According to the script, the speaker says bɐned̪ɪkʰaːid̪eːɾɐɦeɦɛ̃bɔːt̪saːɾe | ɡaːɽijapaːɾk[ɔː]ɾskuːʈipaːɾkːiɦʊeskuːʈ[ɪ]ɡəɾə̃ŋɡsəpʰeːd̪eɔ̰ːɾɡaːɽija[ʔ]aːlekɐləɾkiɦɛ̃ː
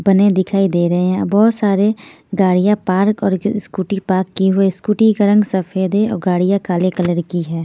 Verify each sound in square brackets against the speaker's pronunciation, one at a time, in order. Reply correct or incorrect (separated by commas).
correct, incorrect, incorrect